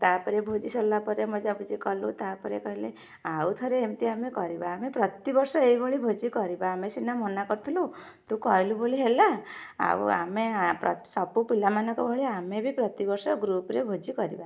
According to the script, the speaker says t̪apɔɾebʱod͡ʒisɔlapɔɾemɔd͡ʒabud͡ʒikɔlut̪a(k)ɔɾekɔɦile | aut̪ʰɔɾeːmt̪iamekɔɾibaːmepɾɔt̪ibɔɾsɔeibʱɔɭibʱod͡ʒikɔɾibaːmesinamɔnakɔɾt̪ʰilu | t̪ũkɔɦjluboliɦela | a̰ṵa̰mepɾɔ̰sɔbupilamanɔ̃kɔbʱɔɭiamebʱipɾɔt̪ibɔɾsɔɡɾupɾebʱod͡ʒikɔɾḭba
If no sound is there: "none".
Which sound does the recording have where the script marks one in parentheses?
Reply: p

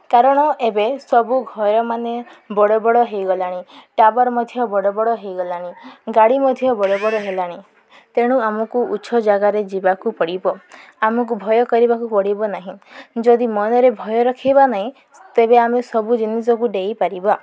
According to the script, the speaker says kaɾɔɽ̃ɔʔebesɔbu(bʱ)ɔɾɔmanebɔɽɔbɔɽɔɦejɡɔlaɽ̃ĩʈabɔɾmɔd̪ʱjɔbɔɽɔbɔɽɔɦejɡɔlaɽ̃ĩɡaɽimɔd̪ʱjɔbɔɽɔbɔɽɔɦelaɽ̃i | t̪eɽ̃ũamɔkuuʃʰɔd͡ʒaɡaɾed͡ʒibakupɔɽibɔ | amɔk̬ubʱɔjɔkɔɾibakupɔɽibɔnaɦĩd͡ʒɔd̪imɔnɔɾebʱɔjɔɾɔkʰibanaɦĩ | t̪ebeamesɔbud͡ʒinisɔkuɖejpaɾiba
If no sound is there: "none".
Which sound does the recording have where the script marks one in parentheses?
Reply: ɡʱ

